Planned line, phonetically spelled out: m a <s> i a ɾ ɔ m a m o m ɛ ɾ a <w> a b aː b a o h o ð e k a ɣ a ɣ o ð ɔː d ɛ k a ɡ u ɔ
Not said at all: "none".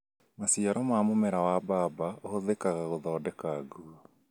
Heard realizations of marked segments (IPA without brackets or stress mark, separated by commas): s, w